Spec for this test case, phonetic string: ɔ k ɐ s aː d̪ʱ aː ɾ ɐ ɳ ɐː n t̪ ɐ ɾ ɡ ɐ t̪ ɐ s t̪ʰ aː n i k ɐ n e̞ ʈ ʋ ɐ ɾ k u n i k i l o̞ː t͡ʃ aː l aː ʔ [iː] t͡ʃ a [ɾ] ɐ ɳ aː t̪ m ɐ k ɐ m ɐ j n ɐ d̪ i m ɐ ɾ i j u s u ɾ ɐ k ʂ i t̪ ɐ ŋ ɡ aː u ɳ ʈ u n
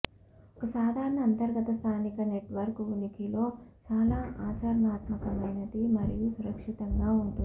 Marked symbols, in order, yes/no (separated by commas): no, yes